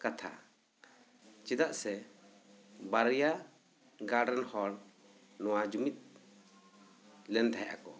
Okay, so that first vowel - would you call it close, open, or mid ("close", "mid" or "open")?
open